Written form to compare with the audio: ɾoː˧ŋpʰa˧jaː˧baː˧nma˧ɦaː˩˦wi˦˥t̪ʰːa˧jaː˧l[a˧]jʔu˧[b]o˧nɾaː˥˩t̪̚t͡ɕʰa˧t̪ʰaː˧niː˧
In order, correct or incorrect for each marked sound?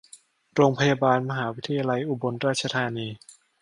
correct, correct

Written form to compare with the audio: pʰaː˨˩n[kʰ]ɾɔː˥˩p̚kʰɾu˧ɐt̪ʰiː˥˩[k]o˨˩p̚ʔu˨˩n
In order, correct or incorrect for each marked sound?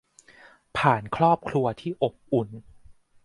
correct, incorrect: ʔ

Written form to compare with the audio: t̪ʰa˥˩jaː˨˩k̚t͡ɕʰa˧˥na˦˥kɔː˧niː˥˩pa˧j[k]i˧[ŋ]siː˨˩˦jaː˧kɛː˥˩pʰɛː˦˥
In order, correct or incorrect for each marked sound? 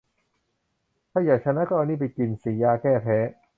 correct, incorrect: n

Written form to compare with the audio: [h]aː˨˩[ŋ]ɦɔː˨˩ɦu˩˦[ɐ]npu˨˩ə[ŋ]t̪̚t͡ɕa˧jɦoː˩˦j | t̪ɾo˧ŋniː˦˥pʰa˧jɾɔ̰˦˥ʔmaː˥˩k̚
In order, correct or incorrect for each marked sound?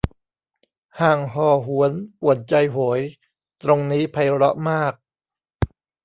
correct, correct, incorrect: ə, incorrect: none

